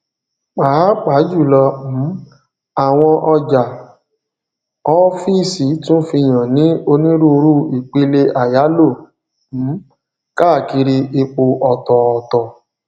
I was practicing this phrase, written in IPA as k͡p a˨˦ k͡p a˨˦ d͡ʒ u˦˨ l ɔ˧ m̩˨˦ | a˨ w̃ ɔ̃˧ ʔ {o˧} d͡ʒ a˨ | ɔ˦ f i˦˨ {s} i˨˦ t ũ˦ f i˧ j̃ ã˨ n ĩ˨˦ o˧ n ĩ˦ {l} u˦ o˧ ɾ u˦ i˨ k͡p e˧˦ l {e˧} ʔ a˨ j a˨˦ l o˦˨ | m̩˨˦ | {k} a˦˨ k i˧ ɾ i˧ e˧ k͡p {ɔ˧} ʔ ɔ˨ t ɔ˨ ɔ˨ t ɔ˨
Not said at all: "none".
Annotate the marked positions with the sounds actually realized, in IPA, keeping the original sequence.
ɔ˧, s, ɾ, e˧, k, o˧

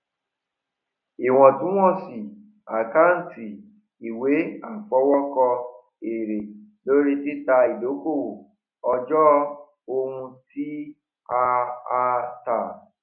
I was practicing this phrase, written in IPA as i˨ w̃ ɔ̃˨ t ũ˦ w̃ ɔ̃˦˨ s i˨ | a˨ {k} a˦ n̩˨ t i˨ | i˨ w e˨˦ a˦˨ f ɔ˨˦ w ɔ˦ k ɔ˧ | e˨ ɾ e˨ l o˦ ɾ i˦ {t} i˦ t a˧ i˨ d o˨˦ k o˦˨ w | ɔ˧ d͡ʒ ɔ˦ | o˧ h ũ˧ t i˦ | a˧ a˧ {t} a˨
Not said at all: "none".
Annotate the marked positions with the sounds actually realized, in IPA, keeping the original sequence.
k, t, t

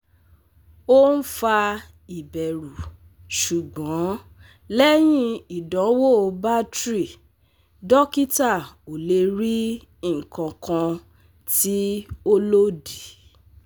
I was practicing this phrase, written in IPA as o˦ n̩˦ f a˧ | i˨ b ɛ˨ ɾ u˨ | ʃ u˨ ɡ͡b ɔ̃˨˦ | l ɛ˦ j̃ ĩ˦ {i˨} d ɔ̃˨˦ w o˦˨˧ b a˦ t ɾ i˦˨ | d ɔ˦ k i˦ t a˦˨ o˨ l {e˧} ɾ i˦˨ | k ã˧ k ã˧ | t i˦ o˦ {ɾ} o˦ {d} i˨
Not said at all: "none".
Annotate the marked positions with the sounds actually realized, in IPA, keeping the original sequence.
i˨, e˧, l, d

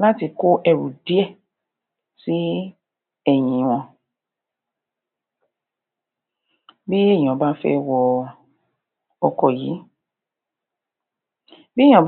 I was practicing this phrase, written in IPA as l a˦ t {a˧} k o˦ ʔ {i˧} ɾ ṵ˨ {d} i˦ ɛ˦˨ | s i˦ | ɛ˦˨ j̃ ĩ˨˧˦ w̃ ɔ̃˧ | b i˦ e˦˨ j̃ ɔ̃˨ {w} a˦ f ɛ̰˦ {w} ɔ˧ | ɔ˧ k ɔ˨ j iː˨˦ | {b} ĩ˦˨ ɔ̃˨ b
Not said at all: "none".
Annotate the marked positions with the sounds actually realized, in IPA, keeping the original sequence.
i˧, ɛ˧, d, b, w, b

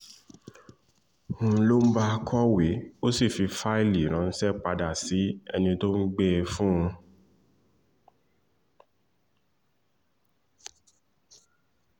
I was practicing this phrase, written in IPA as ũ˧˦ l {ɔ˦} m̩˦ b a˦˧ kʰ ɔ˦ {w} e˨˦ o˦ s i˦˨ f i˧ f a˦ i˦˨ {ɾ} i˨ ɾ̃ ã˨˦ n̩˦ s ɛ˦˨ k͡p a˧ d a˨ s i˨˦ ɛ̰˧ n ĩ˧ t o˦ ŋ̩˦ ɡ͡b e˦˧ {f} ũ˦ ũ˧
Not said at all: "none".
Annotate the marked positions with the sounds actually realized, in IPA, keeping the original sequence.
o˦, w, l, f

